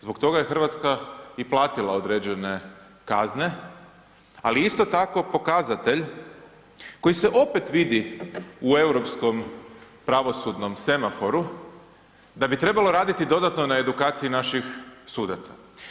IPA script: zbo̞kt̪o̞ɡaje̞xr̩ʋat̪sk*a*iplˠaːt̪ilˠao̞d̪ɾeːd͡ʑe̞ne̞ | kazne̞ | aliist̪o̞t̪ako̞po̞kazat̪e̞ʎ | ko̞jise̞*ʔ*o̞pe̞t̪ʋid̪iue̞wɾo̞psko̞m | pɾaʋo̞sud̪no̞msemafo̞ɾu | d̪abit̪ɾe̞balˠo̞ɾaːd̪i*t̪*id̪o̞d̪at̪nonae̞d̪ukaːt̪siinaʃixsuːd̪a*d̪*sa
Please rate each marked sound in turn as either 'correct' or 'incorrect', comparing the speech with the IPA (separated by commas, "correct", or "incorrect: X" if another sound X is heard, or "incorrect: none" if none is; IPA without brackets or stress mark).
correct, correct, correct, incorrect: t̪